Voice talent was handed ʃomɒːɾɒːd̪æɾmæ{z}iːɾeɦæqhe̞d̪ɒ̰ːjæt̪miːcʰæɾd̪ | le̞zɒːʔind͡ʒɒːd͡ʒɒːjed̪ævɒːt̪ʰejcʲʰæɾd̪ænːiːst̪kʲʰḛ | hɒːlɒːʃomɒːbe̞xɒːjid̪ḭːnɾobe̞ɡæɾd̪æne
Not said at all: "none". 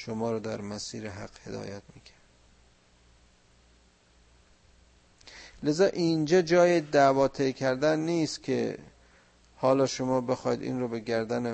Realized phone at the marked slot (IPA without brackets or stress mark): s